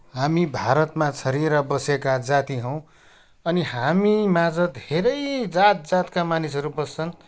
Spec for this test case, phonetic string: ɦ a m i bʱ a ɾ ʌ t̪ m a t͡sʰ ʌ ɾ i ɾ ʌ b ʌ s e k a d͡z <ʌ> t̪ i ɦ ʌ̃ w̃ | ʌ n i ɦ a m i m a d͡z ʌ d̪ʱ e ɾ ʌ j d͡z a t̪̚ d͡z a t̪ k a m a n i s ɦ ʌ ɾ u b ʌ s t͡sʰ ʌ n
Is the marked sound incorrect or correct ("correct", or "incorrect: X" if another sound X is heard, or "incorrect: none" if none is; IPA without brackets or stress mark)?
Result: incorrect: a